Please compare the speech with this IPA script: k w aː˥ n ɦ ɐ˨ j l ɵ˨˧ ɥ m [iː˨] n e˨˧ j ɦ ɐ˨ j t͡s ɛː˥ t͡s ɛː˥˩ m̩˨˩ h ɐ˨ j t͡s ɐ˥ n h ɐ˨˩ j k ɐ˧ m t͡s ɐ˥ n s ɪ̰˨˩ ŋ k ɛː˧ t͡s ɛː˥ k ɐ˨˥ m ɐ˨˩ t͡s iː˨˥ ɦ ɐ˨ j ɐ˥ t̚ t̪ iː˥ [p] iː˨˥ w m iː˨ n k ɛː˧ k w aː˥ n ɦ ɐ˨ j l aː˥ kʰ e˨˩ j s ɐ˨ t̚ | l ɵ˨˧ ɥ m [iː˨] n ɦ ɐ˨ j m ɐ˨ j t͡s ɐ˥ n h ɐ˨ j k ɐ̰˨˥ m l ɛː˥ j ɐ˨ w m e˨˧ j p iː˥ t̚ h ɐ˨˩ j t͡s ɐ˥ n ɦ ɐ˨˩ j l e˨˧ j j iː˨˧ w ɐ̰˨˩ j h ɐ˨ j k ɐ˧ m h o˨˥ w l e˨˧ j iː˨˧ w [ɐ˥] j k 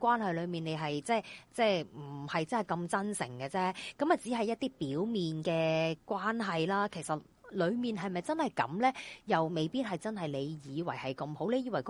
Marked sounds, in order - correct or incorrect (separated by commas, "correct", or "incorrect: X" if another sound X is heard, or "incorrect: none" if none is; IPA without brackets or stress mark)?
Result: correct, correct, correct, incorrect: ɐ˨˩